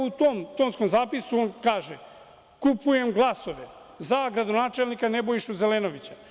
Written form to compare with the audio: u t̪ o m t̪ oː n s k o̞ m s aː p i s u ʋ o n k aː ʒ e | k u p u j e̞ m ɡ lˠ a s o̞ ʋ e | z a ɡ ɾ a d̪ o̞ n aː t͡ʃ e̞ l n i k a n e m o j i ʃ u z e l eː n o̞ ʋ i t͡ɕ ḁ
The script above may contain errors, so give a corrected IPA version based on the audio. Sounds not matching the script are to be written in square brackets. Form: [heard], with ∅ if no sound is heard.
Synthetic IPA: u t̪ o m t̪ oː n s k o̞ m [z] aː p i s u [∅] o n k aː ʒ e | k u p u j e̞ m ɡ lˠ a s o̞ ʋ e | z a ɡ ɾ a d̪ o̞ n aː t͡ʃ e̞ l n i k a n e [b] o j i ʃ u z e l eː n o̞ ʋ i t͡ɕ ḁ

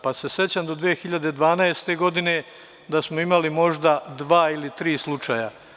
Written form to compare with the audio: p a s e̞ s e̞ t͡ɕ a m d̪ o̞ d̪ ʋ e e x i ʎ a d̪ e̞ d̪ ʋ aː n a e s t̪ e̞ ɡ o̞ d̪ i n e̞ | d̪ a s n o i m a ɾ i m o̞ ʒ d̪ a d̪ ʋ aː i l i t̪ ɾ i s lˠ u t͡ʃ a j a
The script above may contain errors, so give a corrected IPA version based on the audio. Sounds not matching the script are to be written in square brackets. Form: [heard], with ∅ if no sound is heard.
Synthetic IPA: p a s e̞ s e̞ t͡ɕ a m d̪ o̞ d̪ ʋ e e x i ʎ a d̪ e̞ d̪ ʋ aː n a e s t̪ e̞ ɡ o̞ d̪ i n e̞ | d̪ a s [m] o i m a [l] i m o̞ ʒ d̪ a d̪ ʋ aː i l i t̪ ɾ [iː] s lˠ u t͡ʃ a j a

